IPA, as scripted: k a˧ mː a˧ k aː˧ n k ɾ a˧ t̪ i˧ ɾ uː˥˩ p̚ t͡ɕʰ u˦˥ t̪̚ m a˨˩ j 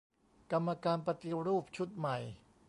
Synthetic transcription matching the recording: k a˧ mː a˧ k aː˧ n p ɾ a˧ t̪ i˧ ɾ uː˥˩ p̚ t͡ɕʰ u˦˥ t̪̚ m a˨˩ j